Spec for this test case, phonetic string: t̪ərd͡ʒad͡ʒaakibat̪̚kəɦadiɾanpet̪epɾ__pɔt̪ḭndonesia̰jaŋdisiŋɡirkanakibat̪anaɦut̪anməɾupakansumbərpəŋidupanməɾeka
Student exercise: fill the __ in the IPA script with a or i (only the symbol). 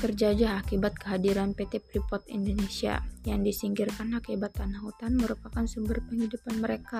i